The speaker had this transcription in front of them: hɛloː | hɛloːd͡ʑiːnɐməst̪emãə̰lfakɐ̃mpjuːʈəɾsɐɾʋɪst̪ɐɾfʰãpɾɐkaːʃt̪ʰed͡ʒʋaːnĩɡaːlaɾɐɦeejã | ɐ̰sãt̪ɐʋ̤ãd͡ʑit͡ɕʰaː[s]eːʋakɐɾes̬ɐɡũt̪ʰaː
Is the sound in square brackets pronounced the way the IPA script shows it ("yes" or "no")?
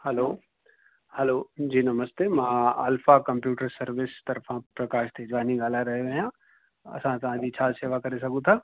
yes